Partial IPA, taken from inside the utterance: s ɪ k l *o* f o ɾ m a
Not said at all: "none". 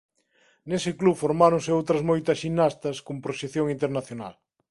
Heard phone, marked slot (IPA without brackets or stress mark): u